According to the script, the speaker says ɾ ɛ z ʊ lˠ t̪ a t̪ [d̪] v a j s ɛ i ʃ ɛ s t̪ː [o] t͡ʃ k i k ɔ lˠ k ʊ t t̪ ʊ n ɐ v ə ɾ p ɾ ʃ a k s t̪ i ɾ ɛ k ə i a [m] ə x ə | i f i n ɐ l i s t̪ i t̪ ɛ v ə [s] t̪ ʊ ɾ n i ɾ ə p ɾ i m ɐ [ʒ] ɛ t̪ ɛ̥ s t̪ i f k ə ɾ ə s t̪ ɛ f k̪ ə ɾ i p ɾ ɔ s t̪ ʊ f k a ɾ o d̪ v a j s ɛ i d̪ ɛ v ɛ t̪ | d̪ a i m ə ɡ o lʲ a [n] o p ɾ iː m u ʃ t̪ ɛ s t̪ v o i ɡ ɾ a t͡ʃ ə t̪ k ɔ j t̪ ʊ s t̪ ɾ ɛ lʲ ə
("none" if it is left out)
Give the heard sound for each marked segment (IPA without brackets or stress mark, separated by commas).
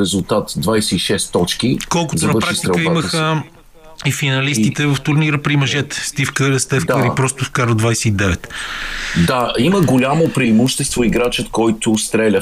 d̪, ɔ, m, f, ʒ, m